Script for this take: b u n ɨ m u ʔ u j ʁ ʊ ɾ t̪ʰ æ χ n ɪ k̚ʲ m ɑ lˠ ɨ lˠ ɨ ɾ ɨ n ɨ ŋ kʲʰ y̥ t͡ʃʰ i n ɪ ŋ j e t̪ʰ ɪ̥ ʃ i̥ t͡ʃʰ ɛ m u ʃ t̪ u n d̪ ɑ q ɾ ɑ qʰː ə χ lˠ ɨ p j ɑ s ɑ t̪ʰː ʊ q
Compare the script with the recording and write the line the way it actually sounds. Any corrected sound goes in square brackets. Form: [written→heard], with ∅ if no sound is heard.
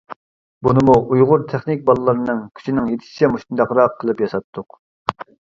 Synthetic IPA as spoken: b u n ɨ m u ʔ u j ʁ ʊ ɾ t̪ʰ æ χ n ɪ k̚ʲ [m→b] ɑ lˠ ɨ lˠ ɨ ɾ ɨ n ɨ ŋ kʲʰ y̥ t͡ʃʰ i n ɪ ŋ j e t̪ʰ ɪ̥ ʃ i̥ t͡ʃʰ ɛ m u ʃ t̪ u n d̪ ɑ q ɾ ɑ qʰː ə [χ→∅] lˠ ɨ p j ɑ s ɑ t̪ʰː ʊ q